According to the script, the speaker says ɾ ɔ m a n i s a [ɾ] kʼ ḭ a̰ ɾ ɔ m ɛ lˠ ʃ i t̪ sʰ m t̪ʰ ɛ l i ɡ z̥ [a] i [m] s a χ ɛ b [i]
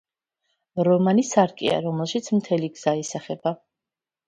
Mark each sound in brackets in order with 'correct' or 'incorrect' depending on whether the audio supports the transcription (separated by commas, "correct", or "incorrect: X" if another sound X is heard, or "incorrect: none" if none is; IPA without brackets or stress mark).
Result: correct, correct, incorrect: none, incorrect: a